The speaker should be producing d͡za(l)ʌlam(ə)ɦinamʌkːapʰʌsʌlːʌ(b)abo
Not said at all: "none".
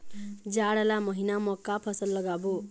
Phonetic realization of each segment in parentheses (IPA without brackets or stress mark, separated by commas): ɽ, ʌ, ɡ